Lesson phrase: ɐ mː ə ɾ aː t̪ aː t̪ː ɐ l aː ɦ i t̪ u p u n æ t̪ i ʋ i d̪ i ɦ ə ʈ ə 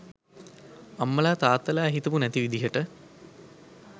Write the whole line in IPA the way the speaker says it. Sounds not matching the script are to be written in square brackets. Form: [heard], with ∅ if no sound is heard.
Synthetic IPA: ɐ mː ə [l] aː t̪ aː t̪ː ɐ l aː ɦ i t̪ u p u n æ t̪ i ʋ i d̪ i ɦ ə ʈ ə

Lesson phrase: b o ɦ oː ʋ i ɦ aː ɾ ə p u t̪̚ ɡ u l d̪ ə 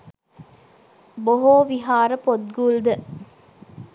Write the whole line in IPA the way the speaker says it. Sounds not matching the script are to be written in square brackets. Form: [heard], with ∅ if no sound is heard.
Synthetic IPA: b o ɦ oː ʋ i ɦ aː ɾ ə p [o] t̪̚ ɡ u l d̪ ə

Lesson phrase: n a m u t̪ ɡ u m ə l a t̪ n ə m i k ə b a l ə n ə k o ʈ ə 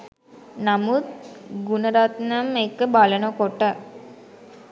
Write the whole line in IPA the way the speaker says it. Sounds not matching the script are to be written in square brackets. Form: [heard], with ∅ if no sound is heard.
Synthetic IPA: n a m u t̪ ɡ u [n] ə [ɾ] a t̪ n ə m [e] k ə b a l ə n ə k o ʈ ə

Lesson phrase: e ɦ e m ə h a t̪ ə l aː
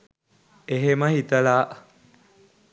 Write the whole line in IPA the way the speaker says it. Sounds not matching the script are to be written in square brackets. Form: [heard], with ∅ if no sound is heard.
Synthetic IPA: e ɦ e m ə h [i] t̪ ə l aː

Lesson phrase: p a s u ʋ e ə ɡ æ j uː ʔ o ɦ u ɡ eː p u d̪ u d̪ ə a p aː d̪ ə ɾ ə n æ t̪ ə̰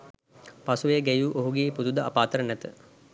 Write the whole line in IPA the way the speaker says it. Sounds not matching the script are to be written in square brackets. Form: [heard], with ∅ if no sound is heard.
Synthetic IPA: p a s u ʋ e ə ɡ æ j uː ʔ o ɦ u ɡ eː p u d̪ u d̪ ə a p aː [t̪] ə ɾ ə n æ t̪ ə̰

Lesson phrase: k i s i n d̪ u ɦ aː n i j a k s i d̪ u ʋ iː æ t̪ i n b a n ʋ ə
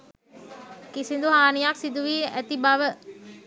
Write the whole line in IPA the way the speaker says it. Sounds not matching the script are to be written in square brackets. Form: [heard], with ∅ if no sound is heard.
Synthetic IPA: k i s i n d̪ u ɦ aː n i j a k s i d̪ u ʋ iː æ t̪ i [∅] b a [∅] ʋ ə

